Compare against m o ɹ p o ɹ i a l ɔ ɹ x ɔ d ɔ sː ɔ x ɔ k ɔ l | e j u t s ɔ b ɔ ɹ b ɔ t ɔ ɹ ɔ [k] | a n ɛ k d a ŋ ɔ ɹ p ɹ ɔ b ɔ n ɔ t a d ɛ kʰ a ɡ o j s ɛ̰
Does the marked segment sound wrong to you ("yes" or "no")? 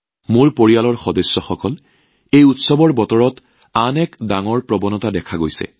yes